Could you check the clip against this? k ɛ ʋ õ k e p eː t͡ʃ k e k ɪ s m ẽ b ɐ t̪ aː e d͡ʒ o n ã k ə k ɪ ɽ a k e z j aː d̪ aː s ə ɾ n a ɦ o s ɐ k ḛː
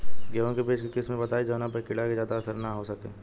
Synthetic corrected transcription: ɡ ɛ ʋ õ k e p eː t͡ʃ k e k ɪ s m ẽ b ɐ t̪ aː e d͡ʒ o n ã p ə k ɪ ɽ a k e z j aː d̪ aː s ə ɾ n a ɦ o s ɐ k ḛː